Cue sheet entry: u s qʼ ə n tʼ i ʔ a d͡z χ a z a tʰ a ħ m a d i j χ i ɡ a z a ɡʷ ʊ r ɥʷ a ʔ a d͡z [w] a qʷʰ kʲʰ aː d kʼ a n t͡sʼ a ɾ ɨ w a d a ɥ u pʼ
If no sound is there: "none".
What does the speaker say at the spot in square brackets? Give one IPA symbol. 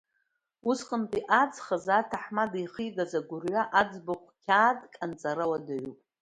b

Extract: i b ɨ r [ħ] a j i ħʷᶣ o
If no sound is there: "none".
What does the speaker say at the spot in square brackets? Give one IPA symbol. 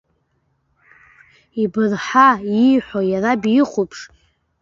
ħ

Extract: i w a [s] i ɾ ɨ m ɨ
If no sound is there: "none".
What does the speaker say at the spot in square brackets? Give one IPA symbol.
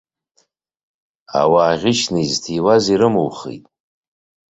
z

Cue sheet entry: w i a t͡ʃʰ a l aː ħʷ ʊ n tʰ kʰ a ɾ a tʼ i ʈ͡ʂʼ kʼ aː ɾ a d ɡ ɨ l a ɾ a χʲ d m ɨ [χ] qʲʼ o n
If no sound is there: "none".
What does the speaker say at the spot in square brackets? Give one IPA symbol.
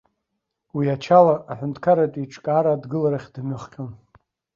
χ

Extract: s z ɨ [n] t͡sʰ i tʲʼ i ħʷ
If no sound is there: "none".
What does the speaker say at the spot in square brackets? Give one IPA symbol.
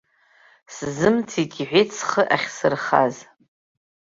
m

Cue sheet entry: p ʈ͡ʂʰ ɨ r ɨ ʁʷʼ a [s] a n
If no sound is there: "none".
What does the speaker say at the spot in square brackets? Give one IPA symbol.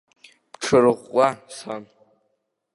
s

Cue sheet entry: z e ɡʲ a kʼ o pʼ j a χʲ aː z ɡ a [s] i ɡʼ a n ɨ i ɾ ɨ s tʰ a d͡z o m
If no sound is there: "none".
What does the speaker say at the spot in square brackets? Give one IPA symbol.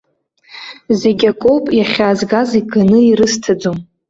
z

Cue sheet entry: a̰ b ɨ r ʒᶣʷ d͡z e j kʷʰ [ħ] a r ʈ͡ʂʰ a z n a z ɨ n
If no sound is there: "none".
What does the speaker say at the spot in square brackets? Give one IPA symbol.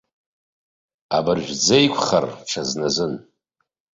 χ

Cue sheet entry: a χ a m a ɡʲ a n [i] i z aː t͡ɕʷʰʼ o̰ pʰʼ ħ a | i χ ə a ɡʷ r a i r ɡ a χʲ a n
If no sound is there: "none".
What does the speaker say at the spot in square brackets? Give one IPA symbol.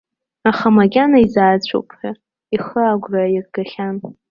a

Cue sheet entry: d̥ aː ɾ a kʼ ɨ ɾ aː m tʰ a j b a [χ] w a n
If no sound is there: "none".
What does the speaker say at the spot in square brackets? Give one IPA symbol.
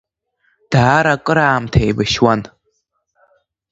ʃ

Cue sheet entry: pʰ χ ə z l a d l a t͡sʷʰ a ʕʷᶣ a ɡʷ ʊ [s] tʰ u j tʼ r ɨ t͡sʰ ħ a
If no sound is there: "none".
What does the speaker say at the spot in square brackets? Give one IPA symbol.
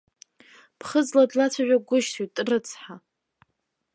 ʃ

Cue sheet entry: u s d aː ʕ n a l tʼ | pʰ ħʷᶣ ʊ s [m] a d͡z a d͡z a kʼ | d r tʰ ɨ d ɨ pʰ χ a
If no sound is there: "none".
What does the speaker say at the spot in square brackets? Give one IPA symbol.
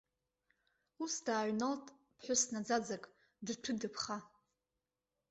n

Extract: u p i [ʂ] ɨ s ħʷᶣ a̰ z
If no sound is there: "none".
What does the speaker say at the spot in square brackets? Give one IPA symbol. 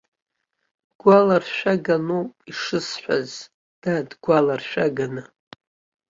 ʂ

